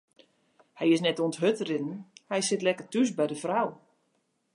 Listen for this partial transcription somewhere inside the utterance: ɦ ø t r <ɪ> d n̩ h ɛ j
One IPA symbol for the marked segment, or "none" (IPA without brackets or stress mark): ɪ